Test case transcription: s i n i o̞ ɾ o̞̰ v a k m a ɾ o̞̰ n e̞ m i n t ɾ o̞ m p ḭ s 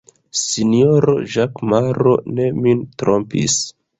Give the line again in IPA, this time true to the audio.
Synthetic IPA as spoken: s i n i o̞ ɾ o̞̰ ʒ a k m a ɾ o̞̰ n e̞ m i n t ɾ o̞ m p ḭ s